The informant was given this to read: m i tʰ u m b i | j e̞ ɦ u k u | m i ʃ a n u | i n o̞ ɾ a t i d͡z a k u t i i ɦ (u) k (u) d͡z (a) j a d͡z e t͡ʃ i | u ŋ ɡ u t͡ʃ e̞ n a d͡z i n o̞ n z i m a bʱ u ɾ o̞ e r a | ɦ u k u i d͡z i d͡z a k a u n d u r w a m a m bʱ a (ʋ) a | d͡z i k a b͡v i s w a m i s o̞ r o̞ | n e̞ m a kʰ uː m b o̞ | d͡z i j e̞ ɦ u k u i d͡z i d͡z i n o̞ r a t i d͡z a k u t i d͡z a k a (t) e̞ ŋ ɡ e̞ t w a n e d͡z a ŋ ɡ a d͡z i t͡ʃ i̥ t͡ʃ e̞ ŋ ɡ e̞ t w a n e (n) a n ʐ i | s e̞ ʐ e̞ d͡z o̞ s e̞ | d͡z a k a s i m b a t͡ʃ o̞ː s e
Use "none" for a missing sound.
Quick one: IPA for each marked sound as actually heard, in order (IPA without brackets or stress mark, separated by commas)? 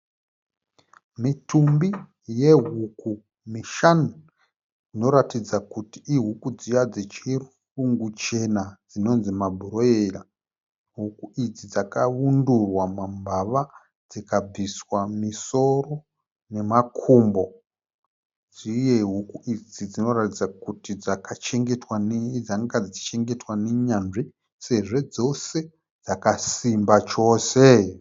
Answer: u, u, i, ʋ, t͡ʃ, ɲ